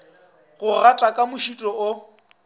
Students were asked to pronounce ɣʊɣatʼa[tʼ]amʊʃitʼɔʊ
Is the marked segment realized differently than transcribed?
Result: yes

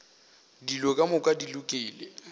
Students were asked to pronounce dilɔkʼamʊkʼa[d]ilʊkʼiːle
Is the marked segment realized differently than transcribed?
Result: no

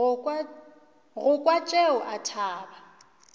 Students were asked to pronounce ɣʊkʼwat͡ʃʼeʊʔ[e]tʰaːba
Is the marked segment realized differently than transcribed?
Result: yes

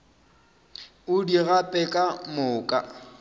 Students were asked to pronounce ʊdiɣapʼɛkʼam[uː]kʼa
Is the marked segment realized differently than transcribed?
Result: yes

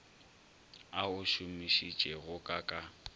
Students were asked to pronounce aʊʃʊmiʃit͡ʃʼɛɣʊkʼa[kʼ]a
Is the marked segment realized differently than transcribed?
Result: no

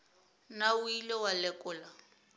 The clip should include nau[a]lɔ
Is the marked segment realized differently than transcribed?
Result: yes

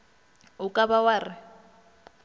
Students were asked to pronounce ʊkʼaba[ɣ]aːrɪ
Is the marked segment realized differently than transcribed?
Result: yes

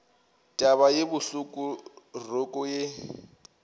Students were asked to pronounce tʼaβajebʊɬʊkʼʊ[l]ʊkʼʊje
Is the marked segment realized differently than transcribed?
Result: yes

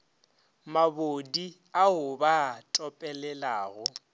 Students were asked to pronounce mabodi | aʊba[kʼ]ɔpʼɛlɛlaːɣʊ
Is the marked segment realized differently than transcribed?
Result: yes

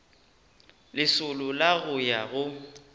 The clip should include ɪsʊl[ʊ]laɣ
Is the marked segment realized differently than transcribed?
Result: no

